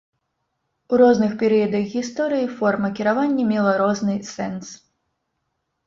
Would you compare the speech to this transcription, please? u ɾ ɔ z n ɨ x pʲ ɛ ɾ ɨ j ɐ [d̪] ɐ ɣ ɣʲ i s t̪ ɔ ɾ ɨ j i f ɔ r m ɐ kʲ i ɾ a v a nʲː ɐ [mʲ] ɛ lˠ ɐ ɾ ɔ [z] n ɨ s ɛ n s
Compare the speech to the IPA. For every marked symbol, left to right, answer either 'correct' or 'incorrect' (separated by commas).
correct, correct, correct